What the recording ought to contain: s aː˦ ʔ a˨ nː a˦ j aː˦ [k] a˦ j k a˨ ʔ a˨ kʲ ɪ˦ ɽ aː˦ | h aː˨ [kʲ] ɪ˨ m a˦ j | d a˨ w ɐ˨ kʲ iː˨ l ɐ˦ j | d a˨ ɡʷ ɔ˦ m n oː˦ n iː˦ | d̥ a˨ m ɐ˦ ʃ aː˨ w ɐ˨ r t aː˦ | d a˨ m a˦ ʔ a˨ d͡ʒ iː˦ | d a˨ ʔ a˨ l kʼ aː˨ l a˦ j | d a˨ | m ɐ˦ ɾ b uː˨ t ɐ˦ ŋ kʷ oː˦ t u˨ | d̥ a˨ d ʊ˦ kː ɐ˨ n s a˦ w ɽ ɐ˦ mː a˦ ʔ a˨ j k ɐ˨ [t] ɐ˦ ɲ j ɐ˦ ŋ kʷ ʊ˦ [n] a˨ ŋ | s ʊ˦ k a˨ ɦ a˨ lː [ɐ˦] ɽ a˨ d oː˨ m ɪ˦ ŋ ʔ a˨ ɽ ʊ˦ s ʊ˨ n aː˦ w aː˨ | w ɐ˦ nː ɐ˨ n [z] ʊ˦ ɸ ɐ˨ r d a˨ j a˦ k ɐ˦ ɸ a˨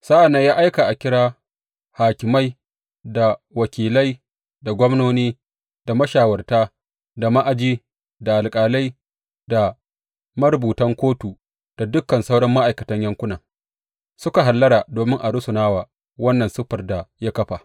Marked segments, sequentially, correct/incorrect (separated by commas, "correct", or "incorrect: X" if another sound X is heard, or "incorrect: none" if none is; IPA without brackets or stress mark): incorrect: ʔ, correct, correct, correct, correct, incorrect: s